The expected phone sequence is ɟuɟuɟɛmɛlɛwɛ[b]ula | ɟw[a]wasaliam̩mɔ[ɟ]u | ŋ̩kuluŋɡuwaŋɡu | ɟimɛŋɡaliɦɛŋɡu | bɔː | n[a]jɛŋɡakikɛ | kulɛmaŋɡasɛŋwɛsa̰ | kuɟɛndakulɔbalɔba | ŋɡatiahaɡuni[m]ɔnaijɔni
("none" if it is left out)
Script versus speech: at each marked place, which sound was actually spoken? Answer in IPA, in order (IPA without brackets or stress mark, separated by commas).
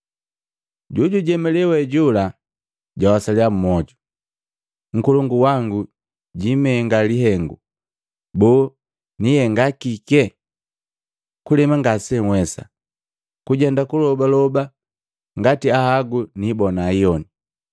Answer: ɟ, a, ɟ, i, b